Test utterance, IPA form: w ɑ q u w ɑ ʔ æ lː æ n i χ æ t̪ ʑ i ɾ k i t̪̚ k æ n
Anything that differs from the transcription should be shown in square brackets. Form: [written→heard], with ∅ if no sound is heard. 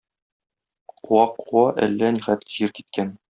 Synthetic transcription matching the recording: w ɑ q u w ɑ ʔ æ lː æ n i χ æ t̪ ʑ i ɾ k i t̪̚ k æ n